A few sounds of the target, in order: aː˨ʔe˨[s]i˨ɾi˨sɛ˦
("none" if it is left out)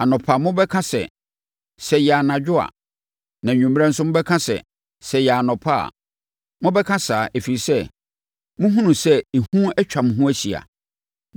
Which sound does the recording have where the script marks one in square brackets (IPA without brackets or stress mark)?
f